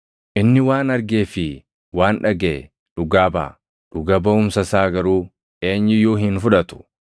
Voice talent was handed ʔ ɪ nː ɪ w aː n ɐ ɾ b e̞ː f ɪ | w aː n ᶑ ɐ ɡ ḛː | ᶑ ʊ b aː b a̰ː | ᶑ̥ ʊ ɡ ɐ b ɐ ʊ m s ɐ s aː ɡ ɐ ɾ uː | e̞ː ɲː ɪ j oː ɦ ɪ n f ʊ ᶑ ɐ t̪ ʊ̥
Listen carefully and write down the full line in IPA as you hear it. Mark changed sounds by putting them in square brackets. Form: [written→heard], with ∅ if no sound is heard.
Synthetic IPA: ʔ ɪ nː ɪ w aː n ɐ ɾ [b→ɡ] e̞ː f ɪ | w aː n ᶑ ɐ ɡ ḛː | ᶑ ʊ [b→ɡ] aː b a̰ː | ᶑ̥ ʊ ɡ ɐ b ɐ ʊ m s ɐ s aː ɡ ɐ ɾ uː | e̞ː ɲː ɪ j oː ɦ ɪ n f ʊ ᶑ ɐ t̪ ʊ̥